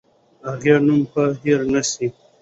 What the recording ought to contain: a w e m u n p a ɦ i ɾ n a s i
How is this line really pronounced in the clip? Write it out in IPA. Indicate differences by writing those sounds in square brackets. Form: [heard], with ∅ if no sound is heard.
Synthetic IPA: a [ɣ] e [n] u [m] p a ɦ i ɾ n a s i